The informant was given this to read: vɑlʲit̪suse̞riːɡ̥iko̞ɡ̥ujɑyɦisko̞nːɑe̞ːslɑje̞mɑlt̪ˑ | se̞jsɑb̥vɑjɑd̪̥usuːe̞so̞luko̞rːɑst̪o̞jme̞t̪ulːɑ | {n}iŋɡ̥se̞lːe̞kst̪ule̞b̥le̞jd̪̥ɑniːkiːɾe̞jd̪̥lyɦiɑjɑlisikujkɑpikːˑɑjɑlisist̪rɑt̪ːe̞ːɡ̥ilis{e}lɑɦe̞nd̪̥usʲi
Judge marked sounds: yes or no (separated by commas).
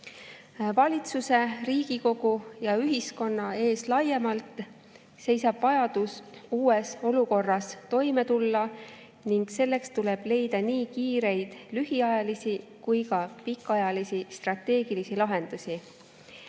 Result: yes, no